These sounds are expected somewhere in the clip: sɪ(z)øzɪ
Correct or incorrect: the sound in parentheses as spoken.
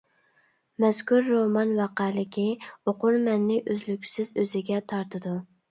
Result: correct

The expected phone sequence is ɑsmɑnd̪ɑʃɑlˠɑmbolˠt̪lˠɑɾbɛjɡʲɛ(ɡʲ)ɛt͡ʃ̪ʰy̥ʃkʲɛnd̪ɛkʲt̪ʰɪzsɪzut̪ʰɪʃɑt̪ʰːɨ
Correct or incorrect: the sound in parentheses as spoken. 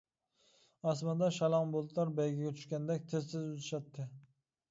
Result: correct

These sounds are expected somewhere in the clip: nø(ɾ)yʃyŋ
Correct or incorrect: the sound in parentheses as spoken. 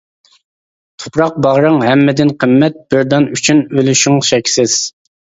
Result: incorrect: l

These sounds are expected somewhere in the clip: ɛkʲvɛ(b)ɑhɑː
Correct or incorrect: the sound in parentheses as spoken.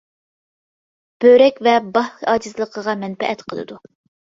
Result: correct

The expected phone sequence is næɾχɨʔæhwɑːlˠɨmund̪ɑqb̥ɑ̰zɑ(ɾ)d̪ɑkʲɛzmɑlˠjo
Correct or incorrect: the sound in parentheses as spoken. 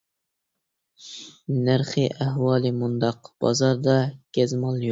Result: correct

